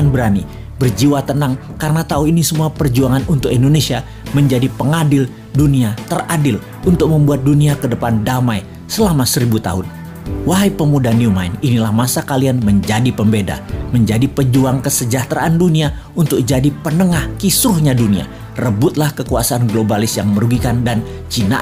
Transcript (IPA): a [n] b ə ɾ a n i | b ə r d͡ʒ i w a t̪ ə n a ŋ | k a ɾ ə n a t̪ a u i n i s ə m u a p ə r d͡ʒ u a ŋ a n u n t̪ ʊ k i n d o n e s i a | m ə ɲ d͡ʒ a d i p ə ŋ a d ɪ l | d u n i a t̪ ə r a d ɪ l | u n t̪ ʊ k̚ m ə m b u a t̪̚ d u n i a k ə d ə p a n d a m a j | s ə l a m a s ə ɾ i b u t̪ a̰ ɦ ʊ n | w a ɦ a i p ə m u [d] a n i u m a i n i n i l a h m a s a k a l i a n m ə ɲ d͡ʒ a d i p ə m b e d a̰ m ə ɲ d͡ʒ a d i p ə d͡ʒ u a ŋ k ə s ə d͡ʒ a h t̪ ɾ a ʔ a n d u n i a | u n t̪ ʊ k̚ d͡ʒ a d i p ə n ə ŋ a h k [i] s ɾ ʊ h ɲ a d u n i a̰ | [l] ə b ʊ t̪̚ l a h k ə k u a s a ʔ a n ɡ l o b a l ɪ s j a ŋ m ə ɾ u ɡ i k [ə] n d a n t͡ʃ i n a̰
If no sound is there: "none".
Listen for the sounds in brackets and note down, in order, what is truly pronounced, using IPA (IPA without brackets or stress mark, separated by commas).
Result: n, d, i, r, a